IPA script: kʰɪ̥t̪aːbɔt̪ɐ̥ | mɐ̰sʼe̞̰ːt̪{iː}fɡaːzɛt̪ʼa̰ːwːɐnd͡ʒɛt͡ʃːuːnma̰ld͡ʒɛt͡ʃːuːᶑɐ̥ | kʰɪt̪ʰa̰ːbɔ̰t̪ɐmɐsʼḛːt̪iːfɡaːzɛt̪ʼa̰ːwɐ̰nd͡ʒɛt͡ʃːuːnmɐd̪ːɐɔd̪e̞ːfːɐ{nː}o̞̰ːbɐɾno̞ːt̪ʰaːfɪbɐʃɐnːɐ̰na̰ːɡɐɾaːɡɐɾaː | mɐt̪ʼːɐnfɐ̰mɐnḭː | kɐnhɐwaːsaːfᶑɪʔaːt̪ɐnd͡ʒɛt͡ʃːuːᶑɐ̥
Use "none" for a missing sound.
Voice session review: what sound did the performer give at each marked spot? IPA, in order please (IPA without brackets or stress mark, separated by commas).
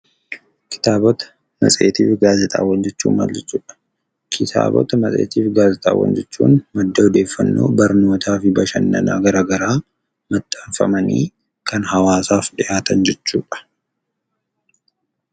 iː, nː